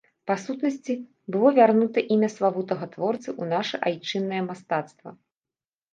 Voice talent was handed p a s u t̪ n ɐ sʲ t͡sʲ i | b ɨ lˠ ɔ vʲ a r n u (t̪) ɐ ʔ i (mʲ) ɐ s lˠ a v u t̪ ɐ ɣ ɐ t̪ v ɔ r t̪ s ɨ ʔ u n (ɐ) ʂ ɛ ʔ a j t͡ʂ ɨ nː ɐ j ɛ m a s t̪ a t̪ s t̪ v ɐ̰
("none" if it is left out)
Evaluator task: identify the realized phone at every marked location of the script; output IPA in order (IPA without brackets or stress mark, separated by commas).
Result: t̪, mʲ, a